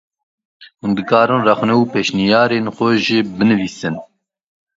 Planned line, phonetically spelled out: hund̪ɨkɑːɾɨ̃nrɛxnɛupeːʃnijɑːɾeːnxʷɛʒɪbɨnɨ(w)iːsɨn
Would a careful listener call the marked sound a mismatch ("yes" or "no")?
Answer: yes